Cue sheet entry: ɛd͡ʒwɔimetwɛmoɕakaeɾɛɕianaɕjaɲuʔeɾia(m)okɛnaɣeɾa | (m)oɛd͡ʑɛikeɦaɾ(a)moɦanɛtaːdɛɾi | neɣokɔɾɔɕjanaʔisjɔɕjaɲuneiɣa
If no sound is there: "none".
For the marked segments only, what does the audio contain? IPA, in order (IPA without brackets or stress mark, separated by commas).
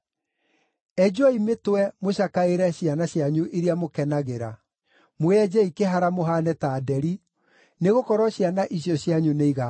m, m, a